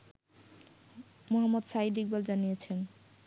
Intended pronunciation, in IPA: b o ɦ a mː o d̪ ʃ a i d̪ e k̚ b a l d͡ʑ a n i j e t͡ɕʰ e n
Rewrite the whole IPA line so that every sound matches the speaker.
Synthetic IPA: m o ɦ a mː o d̪ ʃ a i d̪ i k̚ b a l d͡ʑ a n i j e t͡ɕʰ e n